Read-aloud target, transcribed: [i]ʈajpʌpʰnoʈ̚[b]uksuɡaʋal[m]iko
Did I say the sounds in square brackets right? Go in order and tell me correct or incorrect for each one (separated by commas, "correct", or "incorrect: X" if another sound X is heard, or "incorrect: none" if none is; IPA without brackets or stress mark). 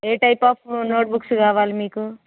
incorrect: e, correct, correct